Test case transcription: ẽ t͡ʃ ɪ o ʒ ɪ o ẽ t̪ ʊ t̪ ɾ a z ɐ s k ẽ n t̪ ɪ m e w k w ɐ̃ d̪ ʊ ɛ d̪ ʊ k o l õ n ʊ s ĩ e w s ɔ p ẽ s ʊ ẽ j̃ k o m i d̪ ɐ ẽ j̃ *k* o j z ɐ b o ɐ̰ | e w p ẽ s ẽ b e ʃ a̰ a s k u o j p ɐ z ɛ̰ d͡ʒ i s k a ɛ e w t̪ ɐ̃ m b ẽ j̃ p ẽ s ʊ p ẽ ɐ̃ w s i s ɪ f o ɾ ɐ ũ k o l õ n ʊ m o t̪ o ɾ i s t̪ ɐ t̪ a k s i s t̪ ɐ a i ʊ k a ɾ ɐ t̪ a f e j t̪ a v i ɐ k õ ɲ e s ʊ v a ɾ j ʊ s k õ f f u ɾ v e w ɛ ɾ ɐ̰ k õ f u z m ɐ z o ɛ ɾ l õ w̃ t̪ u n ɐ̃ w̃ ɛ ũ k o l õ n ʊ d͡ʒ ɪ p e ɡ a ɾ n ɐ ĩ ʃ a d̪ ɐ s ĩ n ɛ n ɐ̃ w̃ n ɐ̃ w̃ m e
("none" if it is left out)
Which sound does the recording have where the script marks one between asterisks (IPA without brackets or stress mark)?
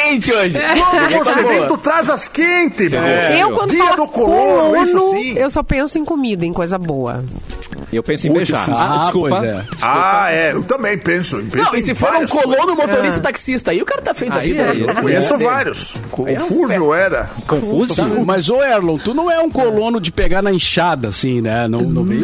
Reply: k